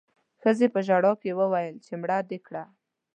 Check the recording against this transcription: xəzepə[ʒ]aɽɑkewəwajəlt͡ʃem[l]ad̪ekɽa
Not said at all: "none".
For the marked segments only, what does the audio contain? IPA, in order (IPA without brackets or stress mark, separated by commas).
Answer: ʒ, ɽ